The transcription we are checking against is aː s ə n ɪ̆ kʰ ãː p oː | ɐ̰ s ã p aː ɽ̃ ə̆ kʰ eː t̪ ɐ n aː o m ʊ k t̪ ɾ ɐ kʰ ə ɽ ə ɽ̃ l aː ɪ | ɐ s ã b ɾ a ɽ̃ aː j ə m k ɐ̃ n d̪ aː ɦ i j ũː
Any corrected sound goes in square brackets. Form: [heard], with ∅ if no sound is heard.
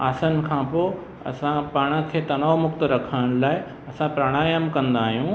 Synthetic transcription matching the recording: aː s ə n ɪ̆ kʰ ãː p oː | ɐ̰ s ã p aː ɽ̃ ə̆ kʰ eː t̪ ɐ n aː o m ʊ k t̪ ɾ ɐ kʰ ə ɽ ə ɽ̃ l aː ɪ | ɐ s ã [p] ɾ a ɽ̃ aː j ə m k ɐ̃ n d̪ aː ɦ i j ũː